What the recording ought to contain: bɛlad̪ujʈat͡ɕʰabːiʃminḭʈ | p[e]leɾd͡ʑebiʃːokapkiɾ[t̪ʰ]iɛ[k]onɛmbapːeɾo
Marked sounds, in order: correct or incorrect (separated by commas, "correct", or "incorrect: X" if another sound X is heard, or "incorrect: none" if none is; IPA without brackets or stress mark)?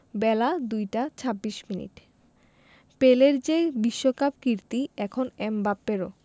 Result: correct, incorrect: t̪, incorrect: kʰ